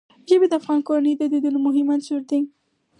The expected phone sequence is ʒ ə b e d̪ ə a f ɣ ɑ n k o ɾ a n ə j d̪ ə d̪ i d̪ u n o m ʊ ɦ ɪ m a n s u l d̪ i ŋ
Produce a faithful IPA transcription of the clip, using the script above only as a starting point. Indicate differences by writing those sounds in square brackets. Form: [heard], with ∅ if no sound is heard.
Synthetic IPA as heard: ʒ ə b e d̪ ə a f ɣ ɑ n k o ɾ a n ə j d̪ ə d̪ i d̪ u n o m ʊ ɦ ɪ m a n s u [ɾ] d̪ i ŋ